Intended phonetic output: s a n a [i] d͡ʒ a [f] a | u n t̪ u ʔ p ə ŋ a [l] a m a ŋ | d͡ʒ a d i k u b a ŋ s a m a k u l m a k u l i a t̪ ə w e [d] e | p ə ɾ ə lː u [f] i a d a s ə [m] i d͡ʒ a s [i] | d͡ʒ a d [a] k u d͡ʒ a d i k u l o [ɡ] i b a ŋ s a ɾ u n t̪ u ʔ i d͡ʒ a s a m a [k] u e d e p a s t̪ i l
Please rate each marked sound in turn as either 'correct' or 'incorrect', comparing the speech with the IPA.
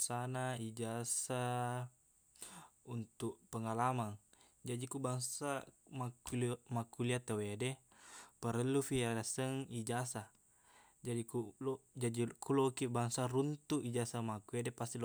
correct, incorrect, correct, correct, correct, incorrect, incorrect, incorrect, incorrect, correct

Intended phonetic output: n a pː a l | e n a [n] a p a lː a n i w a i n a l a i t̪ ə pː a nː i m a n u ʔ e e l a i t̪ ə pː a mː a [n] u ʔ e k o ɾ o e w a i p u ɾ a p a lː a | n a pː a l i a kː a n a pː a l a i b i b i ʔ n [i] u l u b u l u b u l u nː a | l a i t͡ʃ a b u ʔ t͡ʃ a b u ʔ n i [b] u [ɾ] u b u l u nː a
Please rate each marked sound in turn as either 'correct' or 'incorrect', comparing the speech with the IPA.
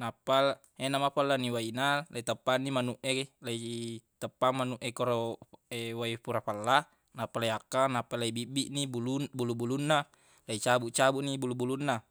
incorrect, correct, correct, correct, incorrect

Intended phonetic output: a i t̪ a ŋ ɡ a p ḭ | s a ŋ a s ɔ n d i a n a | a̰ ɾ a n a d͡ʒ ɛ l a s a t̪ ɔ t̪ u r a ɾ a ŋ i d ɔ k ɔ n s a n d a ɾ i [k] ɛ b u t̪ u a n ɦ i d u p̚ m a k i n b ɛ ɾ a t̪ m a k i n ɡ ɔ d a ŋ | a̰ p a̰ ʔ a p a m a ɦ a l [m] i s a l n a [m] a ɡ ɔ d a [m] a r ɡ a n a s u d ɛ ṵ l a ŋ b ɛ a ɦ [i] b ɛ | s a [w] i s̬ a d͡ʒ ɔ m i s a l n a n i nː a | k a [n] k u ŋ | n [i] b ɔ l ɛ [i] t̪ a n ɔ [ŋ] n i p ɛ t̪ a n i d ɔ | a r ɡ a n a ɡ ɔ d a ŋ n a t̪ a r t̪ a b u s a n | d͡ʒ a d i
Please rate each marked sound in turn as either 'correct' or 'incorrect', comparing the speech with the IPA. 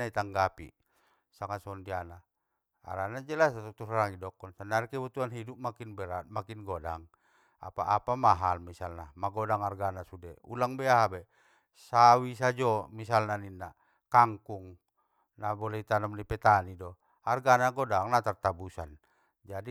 correct, correct, correct, incorrect, incorrect, correct, incorrect, incorrect, correct, incorrect

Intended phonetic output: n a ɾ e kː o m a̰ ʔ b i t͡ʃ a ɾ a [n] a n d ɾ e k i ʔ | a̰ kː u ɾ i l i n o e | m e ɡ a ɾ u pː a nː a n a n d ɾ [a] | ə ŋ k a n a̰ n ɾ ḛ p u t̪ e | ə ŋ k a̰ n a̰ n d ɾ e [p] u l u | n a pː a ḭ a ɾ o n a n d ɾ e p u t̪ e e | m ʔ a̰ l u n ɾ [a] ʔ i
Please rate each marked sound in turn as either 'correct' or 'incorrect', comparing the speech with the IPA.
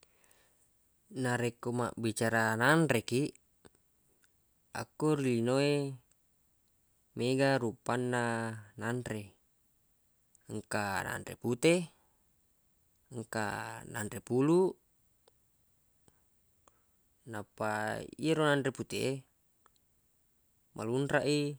correct, incorrect, correct, correct

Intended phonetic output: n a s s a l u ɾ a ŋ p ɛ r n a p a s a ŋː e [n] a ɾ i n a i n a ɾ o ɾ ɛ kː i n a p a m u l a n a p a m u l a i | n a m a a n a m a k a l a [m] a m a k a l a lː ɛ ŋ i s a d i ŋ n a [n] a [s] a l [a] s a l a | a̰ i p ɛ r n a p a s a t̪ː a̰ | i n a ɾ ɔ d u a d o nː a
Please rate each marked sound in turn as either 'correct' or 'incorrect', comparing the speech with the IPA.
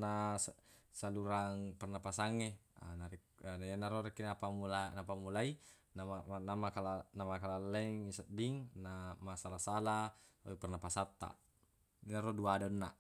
correct, incorrect, incorrect, correct, correct

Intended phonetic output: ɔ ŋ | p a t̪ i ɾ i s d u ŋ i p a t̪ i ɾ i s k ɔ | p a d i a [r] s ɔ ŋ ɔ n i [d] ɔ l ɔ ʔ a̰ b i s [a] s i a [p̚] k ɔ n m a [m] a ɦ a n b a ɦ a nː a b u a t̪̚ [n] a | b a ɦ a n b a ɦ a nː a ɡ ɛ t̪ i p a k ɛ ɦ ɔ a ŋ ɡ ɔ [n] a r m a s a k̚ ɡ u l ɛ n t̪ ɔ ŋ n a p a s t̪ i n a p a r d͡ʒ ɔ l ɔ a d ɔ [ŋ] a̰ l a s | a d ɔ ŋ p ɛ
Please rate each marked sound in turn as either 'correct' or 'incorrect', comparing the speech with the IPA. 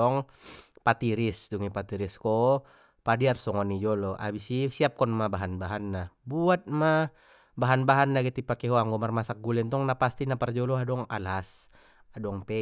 correct, incorrect, incorrect, correct, incorrect, incorrect, incorrect, correct

